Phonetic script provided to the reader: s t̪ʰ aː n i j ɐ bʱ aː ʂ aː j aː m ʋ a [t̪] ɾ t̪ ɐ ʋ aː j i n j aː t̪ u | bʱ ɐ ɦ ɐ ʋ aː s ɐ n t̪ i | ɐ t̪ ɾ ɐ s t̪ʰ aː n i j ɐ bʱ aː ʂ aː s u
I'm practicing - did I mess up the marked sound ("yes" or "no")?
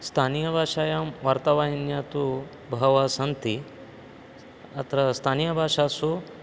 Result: yes